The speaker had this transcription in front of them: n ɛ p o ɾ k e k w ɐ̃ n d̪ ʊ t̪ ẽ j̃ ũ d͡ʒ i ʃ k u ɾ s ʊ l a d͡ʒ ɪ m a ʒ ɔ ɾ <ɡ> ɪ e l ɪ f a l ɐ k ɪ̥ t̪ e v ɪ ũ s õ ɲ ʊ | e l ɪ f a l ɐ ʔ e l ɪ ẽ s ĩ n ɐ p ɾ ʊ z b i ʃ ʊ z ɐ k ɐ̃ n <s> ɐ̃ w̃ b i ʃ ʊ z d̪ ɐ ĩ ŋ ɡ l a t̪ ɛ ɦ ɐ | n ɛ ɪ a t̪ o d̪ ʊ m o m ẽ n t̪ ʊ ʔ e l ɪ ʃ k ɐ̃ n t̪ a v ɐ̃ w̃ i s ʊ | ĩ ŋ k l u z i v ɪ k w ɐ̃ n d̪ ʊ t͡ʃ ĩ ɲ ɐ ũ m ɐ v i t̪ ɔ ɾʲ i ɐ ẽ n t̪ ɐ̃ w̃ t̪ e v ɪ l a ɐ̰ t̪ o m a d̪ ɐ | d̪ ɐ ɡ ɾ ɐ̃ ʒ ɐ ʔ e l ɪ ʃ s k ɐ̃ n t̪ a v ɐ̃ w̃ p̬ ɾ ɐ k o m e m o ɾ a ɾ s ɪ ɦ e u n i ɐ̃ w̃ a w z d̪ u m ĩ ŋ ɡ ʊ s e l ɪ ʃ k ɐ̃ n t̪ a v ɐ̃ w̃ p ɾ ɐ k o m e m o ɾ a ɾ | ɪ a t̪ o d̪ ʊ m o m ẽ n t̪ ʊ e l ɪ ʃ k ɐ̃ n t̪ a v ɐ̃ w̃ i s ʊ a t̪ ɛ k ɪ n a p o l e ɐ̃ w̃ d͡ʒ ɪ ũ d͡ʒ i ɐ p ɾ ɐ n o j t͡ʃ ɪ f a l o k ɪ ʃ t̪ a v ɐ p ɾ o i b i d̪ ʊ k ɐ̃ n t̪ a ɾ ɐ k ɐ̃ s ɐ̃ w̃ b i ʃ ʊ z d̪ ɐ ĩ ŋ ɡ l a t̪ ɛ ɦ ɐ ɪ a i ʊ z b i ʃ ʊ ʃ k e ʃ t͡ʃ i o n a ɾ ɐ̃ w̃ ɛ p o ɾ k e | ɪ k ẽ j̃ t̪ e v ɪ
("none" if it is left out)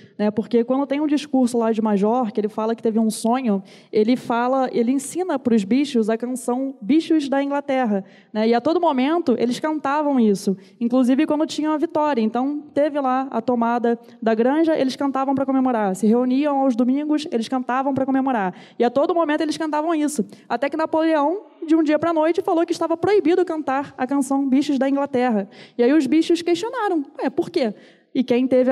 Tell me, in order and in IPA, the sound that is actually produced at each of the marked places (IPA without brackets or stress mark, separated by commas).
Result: k, s